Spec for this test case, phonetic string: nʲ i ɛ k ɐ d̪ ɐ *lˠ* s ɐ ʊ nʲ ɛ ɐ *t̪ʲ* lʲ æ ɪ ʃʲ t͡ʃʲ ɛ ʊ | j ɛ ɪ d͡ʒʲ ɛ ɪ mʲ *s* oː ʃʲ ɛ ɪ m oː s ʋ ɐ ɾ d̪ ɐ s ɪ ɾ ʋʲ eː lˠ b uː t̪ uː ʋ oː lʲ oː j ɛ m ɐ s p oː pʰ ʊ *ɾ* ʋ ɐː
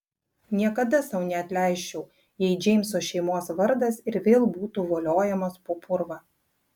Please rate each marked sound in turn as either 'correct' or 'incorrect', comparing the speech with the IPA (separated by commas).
incorrect, correct, correct, correct